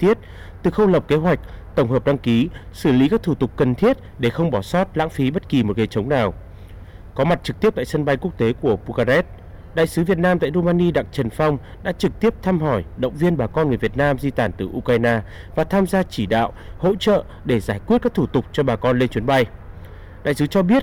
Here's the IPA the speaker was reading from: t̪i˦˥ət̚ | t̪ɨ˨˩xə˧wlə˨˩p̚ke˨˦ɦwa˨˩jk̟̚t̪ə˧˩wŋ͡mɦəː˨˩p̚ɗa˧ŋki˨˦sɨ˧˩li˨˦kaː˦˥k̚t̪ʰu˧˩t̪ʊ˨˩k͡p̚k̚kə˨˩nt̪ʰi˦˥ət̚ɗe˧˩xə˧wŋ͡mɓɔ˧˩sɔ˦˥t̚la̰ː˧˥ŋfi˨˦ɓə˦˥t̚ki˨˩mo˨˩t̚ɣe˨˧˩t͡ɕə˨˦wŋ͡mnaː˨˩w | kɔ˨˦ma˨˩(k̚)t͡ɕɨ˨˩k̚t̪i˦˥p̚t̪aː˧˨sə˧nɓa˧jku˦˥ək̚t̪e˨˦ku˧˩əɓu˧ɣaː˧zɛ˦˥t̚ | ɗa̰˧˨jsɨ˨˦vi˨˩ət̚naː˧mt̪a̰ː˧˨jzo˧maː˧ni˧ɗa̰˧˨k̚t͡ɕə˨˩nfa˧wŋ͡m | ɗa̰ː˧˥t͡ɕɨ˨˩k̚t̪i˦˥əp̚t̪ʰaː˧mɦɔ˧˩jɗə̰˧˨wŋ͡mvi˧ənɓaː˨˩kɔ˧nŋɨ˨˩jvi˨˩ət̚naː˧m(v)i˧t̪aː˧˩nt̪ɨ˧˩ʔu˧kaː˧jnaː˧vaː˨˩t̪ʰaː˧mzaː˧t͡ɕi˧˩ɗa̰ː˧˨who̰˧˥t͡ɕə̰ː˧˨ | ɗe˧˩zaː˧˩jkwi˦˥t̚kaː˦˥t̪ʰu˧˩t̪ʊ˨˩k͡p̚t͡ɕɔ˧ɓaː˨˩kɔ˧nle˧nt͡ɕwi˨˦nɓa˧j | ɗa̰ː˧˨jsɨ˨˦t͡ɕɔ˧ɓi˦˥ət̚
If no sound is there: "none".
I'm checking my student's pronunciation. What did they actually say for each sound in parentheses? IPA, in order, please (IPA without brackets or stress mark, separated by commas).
t̚, z